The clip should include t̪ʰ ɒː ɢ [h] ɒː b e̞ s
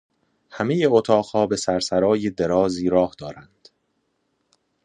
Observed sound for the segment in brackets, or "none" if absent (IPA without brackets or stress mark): h